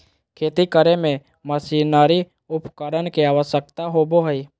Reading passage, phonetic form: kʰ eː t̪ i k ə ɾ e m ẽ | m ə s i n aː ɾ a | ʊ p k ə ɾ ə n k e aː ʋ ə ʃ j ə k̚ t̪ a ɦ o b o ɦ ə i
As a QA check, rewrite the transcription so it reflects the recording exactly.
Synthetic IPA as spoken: kʰ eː t̪ i k ə ɾ e m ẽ | m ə s i n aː ɾ i | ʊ p k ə ɾ ə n k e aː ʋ ə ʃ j ə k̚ t̪ a ɦ o b o ɦ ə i